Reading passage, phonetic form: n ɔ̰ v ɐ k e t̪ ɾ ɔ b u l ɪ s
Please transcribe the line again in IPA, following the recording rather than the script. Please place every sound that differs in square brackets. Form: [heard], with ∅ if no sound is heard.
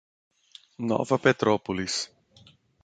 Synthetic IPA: n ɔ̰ v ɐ [p] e t̪ ɾ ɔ [p] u l [i] s